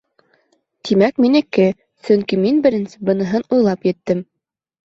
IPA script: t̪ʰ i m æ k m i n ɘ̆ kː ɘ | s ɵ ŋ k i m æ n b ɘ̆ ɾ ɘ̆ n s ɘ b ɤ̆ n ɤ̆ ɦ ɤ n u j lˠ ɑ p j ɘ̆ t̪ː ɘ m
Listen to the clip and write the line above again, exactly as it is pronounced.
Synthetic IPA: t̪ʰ i m æ k m i n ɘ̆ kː ɘ | s ɵ ŋ k i m i n b ɘ̆ ɾ ɘ̆ n s ɘ b ɤ̆ n ɤ̆ ɦ ɤ n u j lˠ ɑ p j ɘ̆ t̪ː ɘ m